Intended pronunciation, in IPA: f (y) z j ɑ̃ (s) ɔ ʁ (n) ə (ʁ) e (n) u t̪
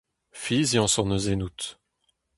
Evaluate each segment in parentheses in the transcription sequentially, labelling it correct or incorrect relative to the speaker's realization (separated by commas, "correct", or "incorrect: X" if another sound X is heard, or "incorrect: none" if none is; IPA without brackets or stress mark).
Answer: incorrect: i, correct, correct, incorrect: z, correct